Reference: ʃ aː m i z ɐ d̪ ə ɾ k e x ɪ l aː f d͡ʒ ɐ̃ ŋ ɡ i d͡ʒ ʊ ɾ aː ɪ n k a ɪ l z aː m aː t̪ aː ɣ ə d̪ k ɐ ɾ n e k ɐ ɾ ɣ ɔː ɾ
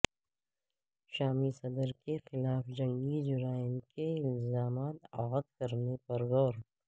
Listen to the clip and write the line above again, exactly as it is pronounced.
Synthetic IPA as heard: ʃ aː m i s ɐ d̪ ə ɾ k e x ɪ l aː f d͡ʒ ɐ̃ ŋ ɡ i d͡ʒ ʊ ɾ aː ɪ n k e ɪ l z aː m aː t̪ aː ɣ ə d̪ k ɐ ɾ n e p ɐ ɾ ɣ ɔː ɾ